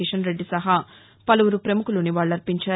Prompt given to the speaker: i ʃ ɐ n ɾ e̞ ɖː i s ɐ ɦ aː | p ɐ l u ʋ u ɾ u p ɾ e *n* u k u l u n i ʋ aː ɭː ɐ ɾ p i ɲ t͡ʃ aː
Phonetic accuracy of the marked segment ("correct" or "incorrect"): incorrect